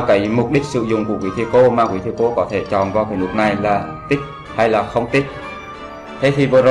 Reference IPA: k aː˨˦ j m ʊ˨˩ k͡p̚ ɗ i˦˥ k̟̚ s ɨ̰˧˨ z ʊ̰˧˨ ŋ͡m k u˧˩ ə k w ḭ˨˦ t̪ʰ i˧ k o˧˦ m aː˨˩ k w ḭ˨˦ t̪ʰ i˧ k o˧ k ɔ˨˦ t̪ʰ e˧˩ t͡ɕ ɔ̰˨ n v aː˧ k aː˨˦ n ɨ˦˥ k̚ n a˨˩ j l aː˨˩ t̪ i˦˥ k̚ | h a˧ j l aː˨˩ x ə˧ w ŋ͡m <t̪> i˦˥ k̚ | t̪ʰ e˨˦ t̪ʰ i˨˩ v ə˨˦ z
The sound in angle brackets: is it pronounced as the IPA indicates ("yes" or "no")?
yes